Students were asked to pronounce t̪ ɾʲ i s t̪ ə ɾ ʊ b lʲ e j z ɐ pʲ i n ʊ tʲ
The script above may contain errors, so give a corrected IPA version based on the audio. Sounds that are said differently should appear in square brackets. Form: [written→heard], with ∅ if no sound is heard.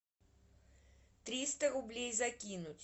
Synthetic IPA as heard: t̪ ɾʲ i s t̪ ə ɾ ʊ b lʲ e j z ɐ [pʲ→kʲ] i n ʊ tʲ